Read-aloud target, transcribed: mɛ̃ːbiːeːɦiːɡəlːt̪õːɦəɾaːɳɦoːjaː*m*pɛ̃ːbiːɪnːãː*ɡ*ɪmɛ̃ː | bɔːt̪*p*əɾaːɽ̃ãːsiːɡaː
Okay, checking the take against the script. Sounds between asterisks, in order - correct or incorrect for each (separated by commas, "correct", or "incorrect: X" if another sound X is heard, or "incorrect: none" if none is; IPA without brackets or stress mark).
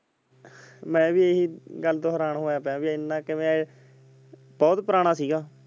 incorrect: none, incorrect: k, correct